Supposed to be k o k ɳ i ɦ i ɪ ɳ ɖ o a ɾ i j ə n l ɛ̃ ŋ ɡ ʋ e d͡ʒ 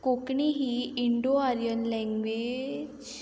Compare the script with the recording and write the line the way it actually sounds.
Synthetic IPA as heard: k o k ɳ i ɦ i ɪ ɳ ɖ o a ɾ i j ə n l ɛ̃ ŋ ɡ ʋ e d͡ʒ